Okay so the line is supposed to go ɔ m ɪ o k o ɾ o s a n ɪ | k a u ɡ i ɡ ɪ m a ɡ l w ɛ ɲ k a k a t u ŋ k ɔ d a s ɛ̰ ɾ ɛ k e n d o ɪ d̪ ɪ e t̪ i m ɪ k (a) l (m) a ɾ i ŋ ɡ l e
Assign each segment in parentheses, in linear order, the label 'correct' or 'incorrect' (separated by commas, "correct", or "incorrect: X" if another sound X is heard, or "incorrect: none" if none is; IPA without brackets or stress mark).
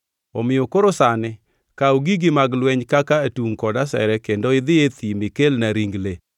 incorrect: e, incorrect: n